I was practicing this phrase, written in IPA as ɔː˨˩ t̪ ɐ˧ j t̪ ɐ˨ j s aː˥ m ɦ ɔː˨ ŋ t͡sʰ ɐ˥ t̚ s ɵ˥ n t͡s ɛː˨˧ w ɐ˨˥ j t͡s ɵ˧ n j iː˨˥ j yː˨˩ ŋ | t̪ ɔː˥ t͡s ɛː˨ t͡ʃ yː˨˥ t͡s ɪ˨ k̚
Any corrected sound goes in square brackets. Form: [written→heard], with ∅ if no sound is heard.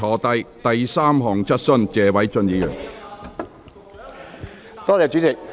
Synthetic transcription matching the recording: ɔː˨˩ t̪ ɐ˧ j t̪ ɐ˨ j s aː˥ m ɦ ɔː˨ ŋ t͡sʰ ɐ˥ t̚ s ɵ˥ n t͡s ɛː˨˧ w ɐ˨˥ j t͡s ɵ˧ n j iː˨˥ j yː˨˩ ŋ | t̪ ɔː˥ t͡s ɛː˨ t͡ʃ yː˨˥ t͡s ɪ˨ k̚